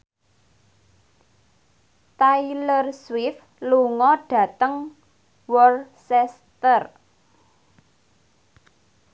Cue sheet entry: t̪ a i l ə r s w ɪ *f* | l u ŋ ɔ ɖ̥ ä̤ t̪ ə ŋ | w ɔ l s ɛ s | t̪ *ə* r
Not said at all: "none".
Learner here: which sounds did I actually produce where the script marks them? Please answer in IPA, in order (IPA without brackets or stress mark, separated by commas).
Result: f, ə